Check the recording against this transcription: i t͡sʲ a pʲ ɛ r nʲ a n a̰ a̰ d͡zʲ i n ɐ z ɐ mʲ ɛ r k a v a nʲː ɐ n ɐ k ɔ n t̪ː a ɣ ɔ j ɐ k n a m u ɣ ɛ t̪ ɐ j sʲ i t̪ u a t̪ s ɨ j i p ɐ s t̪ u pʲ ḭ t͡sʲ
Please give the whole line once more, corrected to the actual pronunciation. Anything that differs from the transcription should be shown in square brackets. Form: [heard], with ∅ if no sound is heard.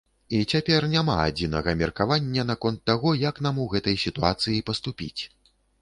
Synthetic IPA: i t͡sʲ a pʲ ɛ r nʲ a [m] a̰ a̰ d͡zʲ i n ɐ [ɣ] ɐ mʲ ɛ r k a v a nʲː ɐ n [a] k ɔ n t̪ː a ɣ ɔ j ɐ k n a m u ɣ ɛ t̪ ɐ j sʲ i t̪ u a t̪ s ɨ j i p ɐ s t̪ u pʲ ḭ t͡sʲ